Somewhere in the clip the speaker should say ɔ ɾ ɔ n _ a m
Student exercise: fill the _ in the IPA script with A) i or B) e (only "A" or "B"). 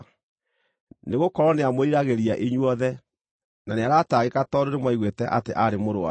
B